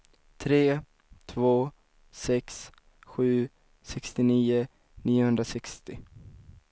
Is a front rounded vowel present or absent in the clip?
absent